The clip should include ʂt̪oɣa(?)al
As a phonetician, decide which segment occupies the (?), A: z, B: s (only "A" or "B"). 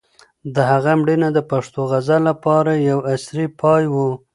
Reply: A